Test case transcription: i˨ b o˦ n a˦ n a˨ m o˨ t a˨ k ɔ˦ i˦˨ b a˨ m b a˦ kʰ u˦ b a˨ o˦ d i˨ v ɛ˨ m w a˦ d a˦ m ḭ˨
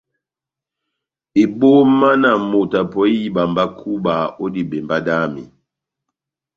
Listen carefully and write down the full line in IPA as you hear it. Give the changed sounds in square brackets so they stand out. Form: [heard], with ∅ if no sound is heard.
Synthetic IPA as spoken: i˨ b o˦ [m] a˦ n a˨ m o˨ t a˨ [p] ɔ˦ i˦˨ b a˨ m b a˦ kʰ u˦ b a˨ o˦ d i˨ [b] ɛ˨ m [b] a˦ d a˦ m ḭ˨

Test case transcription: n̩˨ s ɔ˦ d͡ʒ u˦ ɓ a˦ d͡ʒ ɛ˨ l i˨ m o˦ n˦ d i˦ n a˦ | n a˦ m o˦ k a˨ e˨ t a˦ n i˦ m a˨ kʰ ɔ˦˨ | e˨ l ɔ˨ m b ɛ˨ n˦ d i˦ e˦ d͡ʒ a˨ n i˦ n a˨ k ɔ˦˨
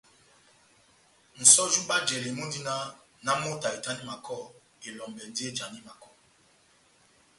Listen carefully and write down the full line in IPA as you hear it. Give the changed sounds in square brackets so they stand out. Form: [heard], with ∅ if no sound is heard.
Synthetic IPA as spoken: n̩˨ s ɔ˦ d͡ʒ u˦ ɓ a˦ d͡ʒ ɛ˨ l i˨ m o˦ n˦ d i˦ n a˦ | n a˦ m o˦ [t] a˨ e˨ t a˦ n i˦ m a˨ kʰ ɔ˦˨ | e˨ l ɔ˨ m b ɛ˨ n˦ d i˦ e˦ d͡ʒ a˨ n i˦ [m] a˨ k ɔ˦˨

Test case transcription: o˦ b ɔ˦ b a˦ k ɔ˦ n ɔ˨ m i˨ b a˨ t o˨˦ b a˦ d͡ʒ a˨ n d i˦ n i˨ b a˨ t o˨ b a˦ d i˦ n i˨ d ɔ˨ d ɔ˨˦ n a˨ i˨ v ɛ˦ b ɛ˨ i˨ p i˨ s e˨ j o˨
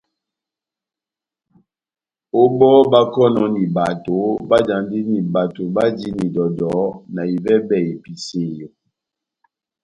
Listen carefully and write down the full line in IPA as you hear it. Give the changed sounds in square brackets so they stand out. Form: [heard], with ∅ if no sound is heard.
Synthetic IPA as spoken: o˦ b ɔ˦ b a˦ k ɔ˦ n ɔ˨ [n] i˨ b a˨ t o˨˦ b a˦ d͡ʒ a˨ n d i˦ n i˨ b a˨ t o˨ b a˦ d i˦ n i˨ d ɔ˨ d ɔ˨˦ n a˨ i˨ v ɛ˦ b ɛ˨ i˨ p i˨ s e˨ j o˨

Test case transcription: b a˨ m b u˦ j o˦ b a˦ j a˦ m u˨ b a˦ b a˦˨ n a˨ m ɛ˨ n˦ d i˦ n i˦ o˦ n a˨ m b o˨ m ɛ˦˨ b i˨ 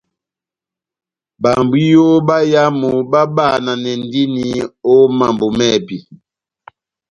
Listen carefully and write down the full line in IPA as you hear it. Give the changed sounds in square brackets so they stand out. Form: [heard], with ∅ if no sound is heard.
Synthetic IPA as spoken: b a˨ m b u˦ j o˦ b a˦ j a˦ m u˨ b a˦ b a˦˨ n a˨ [n] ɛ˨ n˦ d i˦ n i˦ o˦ [m] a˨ m b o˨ m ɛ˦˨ b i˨

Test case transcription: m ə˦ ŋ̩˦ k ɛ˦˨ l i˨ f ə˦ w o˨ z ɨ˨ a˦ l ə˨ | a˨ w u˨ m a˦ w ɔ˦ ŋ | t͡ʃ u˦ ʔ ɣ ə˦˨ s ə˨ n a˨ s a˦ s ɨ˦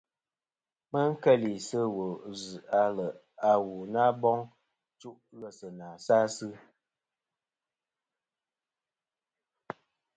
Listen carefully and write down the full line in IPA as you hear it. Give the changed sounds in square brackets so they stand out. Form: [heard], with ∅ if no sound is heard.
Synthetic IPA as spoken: m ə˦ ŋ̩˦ k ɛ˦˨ l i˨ [s] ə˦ w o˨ z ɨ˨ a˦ l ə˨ | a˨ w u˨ [n] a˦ [b] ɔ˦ ŋ | t͡ʃ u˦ ʔ ɣ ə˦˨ s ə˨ n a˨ s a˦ s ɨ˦

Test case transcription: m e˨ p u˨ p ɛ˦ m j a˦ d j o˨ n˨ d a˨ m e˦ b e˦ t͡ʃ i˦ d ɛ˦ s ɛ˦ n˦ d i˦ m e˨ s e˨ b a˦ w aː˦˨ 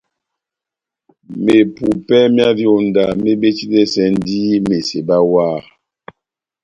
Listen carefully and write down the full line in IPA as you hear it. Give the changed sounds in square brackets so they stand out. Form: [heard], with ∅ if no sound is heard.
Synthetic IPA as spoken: m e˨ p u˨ p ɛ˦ m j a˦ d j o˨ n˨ d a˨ m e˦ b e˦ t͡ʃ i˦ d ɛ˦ s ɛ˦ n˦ d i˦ m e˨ s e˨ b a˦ w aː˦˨

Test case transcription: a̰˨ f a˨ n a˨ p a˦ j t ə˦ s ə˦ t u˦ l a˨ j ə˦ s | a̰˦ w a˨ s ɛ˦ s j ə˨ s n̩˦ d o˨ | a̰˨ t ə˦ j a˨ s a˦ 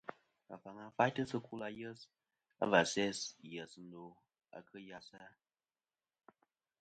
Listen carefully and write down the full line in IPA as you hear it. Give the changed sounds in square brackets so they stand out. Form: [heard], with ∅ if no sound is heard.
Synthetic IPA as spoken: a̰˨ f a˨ [ŋ] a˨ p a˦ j t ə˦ s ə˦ [k] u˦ l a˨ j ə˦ s | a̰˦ [v] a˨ s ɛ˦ s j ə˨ s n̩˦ d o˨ | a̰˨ [k] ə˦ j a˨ s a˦

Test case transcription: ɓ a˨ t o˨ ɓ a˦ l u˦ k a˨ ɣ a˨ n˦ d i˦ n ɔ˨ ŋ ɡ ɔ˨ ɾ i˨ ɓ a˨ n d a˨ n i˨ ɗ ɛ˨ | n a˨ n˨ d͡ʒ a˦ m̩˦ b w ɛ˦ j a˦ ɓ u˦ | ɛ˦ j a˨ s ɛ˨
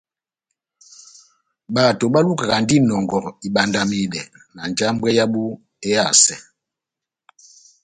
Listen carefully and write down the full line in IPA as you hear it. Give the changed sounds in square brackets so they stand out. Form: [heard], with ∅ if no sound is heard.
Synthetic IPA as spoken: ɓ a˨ t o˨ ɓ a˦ l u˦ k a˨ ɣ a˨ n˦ d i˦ n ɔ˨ ŋ ɡ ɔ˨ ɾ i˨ ɓ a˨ n d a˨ [m] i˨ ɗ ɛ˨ | n a˨ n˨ d͡ʒ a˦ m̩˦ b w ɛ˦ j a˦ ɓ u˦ | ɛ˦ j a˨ s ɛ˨

